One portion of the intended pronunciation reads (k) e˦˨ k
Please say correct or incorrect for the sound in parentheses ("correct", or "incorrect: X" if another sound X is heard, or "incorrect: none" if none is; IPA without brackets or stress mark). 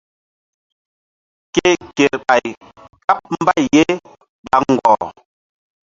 correct